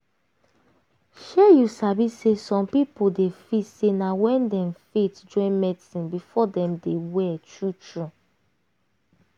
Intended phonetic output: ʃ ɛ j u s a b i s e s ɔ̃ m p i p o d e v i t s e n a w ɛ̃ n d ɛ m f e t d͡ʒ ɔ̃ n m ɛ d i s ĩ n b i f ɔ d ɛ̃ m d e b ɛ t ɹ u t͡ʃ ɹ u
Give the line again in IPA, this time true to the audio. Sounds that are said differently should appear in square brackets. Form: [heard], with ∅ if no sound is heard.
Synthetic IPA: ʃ ɛ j u s a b i s e s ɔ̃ m p i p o d e [f] i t s e n a w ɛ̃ n d ɛ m f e t d͡ʒ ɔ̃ n m ɛ d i s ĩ n b i f ɔ d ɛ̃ m d e [w] ɛ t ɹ u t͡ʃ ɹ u